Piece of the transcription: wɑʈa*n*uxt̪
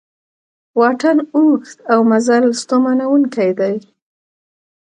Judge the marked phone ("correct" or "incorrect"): correct